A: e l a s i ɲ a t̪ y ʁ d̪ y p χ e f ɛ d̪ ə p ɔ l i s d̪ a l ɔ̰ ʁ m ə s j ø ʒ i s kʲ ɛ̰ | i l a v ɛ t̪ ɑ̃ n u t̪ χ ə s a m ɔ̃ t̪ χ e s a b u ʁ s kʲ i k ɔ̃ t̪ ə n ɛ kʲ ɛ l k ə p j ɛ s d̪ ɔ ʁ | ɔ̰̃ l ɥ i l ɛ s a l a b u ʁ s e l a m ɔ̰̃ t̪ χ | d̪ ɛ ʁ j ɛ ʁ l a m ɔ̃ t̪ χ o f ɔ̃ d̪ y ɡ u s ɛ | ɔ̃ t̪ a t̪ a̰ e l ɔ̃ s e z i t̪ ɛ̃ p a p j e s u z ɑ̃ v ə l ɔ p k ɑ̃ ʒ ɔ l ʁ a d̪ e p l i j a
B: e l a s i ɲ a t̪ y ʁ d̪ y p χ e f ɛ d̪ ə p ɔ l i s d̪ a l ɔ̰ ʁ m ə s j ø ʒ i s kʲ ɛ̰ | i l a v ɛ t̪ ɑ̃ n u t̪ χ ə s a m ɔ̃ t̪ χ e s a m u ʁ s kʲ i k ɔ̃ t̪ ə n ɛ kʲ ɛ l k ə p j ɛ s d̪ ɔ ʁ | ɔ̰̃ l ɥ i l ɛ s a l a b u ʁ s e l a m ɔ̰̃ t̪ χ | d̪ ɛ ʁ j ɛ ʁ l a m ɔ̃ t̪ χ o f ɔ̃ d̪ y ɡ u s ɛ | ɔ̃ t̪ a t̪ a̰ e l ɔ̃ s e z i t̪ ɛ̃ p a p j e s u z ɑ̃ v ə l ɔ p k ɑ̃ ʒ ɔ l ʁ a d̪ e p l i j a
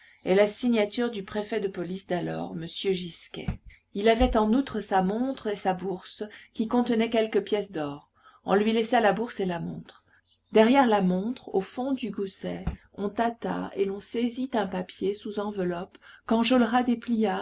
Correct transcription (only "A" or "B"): A